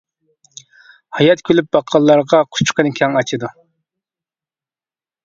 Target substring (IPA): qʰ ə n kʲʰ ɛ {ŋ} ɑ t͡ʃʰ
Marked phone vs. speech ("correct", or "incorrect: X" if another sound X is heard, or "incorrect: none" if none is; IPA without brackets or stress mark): correct